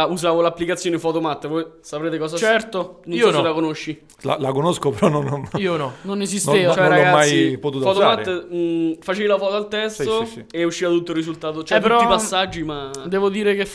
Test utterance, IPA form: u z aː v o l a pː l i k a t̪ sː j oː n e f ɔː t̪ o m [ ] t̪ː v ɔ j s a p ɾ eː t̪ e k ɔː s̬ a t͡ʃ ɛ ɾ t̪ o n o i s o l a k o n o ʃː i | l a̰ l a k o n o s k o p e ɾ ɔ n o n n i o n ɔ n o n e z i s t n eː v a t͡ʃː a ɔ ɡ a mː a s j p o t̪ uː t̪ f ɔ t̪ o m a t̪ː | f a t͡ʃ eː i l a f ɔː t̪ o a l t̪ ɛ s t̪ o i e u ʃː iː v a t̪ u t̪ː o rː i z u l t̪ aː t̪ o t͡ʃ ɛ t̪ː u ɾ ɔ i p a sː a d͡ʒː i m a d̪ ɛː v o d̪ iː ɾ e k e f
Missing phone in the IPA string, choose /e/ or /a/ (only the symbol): a